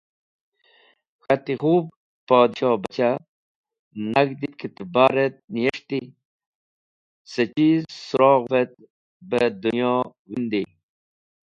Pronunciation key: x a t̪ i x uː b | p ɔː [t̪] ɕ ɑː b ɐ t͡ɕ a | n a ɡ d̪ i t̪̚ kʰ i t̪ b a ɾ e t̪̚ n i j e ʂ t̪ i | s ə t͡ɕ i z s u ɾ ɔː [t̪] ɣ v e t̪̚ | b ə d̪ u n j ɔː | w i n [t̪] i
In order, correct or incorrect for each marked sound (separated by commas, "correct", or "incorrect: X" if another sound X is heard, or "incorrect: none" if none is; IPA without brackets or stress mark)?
incorrect: d̪, incorrect: none, incorrect: d̪